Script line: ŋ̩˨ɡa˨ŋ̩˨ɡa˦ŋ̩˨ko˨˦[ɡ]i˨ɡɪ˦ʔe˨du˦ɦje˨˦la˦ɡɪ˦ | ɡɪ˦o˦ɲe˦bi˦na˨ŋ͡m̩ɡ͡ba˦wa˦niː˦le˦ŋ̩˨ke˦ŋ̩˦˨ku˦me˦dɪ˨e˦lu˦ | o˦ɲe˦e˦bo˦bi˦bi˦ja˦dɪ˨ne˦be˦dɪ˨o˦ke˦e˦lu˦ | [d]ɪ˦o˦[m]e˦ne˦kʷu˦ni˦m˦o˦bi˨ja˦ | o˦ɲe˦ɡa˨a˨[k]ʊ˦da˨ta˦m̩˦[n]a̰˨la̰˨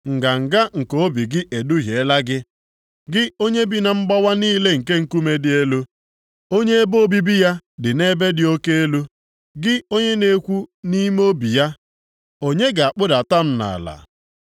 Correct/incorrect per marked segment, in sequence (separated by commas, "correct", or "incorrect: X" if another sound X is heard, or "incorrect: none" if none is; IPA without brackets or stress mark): incorrect: b, incorrect: ɡ, incorrect: ɲ, incorrect: k͡p, correct